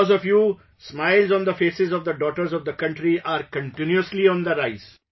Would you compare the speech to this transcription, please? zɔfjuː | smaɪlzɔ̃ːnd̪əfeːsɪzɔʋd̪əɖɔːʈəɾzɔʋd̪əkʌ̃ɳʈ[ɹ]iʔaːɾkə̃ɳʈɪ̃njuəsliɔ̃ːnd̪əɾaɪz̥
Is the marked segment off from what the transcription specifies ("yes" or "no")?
yes